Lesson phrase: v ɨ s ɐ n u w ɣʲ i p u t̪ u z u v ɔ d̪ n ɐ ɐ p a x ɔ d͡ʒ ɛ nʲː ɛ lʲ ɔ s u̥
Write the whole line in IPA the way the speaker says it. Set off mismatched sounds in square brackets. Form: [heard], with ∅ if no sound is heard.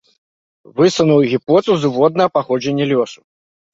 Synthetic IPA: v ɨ s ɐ n u w ɣʲ i p [ɔ] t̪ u z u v ɔ d̪ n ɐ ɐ p a x ɔ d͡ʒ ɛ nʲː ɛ lʲ ɔ s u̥